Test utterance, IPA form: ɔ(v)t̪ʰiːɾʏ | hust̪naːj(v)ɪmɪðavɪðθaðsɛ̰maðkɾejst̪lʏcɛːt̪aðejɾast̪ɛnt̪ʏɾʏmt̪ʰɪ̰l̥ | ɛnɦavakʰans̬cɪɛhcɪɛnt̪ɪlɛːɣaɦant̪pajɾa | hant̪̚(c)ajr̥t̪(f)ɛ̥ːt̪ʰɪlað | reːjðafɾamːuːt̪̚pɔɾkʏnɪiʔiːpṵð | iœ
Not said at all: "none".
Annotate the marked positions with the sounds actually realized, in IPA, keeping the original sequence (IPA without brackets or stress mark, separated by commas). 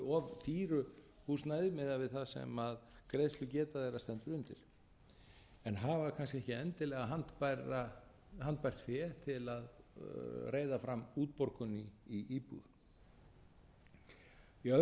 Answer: v, ð, p, f